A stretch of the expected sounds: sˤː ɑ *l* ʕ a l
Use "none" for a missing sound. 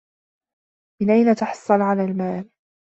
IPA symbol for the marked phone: l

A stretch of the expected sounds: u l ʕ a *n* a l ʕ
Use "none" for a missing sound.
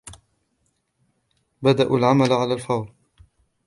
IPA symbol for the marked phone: m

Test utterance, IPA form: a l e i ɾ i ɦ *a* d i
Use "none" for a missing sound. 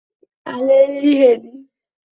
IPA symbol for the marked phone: e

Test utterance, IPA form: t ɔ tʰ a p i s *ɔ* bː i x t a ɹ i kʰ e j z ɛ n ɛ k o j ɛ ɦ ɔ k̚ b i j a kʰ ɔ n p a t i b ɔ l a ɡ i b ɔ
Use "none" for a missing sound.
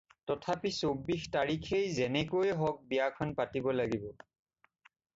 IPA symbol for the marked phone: o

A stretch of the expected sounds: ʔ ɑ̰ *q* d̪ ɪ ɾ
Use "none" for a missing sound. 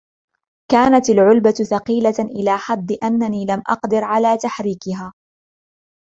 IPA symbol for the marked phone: q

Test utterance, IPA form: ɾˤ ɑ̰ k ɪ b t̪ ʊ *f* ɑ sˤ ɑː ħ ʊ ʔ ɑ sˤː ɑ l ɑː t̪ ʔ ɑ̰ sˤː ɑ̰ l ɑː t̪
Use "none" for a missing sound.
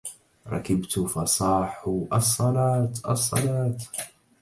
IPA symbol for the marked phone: f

